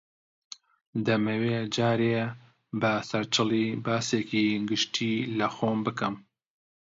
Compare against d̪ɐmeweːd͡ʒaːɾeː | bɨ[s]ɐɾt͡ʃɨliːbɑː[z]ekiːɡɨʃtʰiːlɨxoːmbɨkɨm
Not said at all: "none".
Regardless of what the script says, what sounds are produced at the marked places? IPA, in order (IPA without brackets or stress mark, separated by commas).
s, s